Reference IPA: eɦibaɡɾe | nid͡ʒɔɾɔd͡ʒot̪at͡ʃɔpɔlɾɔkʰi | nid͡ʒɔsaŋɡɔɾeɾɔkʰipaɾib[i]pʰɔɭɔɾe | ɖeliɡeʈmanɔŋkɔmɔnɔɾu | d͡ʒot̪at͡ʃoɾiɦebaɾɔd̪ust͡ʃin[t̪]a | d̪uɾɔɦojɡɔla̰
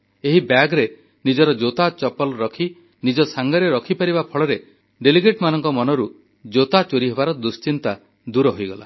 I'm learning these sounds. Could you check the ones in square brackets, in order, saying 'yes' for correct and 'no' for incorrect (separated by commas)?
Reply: no, yes